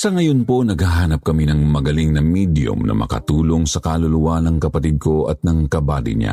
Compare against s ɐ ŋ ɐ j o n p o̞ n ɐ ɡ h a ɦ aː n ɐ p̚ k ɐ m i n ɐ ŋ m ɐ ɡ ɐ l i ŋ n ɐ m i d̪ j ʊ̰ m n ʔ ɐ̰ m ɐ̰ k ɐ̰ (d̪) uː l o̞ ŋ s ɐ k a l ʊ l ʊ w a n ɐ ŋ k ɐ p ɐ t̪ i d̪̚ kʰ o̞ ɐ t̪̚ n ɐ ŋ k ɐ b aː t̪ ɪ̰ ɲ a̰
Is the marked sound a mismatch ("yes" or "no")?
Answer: yes